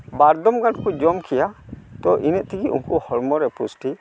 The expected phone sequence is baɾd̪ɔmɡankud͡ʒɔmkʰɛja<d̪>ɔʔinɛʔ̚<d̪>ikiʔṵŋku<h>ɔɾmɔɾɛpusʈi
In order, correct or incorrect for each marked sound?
incorrect, incorrect, correct

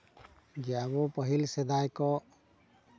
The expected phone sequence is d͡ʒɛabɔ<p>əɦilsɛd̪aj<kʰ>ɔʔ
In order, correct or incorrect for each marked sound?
correct, incorrect

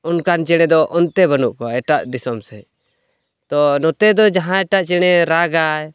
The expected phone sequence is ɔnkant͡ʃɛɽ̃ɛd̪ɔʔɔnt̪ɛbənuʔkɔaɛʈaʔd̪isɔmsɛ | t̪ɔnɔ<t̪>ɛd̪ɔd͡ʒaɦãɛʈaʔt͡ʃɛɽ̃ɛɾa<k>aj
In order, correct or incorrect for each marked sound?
correct, incorrect

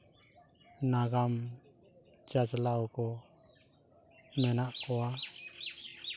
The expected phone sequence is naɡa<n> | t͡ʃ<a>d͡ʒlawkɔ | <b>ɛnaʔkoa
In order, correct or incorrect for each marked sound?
incorrect, correct, incorrect

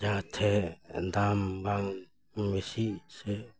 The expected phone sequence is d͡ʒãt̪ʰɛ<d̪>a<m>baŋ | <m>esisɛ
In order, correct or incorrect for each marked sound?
correct, correct, correct

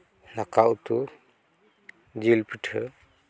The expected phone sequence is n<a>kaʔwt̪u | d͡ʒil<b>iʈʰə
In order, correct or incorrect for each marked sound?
correct, incorrect

